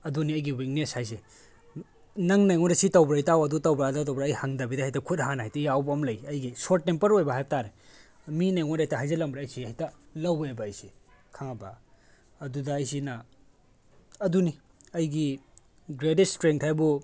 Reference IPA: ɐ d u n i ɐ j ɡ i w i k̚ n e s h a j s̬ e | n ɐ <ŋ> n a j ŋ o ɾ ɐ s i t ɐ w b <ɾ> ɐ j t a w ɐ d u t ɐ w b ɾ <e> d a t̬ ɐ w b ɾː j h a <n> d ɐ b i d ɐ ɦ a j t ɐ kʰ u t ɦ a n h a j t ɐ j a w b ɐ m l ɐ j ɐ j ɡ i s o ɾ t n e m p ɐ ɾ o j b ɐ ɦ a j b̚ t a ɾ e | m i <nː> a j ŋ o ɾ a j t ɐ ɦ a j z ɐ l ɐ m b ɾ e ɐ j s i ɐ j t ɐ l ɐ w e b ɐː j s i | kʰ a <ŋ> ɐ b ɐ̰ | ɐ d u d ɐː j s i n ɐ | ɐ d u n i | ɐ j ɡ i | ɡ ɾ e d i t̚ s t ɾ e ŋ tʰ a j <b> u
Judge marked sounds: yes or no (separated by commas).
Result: yes, yes, no, no, no, yes, yes